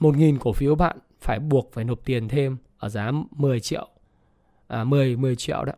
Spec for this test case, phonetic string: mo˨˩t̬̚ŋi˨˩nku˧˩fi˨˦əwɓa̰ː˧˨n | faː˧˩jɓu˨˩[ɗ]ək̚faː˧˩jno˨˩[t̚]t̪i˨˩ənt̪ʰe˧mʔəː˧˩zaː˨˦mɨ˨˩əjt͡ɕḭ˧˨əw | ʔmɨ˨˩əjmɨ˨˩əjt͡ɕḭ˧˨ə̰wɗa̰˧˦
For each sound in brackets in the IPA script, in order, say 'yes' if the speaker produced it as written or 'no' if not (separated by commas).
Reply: no, no